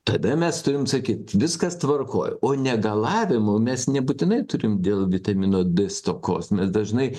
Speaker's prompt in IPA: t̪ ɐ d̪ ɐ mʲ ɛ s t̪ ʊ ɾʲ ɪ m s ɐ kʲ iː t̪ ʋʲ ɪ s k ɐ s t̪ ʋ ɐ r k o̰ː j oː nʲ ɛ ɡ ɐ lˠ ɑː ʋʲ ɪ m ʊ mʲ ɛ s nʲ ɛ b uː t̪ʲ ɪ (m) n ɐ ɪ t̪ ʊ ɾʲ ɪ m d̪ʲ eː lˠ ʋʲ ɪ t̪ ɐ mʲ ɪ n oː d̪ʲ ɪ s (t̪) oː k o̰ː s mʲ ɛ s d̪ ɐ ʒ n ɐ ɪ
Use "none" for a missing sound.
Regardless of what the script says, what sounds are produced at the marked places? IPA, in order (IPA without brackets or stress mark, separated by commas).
none, t̪